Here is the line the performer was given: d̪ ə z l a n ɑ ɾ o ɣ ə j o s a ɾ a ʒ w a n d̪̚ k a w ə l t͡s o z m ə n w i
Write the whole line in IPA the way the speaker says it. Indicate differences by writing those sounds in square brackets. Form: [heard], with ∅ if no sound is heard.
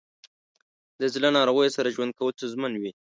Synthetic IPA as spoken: d̪ ə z l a n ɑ ɾ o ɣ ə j o s a ɾ a ʒ w a n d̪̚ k a w ə l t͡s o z m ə n w i